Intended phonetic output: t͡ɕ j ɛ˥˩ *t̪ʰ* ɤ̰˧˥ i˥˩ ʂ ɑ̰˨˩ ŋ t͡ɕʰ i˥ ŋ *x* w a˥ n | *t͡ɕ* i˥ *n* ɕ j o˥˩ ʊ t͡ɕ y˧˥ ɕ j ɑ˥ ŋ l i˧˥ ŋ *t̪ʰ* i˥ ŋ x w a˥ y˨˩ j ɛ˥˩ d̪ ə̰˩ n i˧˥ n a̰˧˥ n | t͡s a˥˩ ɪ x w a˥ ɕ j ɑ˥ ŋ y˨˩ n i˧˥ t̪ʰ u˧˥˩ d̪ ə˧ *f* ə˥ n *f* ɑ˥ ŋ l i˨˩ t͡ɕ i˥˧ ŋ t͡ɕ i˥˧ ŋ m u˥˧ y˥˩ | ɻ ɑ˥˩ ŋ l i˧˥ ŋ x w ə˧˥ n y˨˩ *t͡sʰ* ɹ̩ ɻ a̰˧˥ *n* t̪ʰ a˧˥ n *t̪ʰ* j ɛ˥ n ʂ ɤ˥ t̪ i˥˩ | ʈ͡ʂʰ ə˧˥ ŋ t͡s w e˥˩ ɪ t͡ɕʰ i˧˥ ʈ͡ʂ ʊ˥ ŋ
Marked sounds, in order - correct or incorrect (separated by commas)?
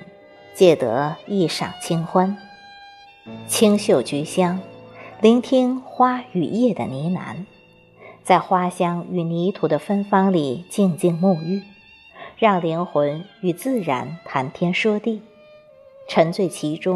incorrect, correct, incorrect, incorrect, correct, correct, correct, incorrect, correct, correct